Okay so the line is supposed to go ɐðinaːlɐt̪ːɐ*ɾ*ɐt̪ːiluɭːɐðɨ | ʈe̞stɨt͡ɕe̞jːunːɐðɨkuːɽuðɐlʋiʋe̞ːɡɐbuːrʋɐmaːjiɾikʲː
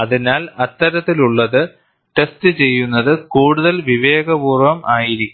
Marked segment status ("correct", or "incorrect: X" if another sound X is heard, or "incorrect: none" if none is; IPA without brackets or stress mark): correct